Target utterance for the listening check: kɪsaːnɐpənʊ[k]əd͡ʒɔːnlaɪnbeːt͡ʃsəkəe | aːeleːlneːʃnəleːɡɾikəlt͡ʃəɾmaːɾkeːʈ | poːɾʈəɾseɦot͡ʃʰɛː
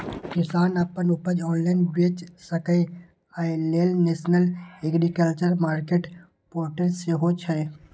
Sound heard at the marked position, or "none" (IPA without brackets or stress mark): p